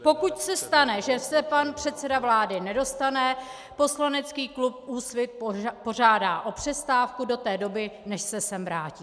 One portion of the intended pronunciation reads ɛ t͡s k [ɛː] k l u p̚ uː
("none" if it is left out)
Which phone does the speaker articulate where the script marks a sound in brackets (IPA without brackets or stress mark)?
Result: iː